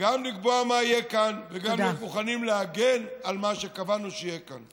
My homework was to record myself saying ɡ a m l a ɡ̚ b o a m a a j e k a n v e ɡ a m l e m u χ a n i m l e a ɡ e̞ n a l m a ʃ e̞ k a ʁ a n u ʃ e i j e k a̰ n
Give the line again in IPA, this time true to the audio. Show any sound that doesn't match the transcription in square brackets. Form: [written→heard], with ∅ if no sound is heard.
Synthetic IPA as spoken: ɡ a m l [a→i] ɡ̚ b o a m a [a→i] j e k a n v e ɡ a m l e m u χ a n i m l e a ɡ e̞ n a l m a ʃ e̞ k a [ʁ→v] a n u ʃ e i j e k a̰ n